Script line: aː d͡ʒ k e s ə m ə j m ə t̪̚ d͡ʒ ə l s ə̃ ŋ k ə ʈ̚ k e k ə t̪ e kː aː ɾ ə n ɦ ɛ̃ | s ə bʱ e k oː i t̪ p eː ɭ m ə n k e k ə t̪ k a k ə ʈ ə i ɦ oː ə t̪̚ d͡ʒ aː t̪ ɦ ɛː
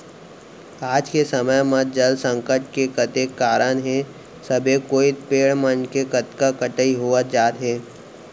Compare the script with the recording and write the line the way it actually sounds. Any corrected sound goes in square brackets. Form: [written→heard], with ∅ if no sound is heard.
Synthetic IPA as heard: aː d͡ʒ k e s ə m ə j m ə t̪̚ d͡ʒ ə l s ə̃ ŋ k ə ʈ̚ k e k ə t̪ e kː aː ɾ ə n ɦ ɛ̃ | s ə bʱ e k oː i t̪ p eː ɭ m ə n k e k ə t̪ k a k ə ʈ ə i ɦ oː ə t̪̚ d͡ʒ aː t̪ ɦ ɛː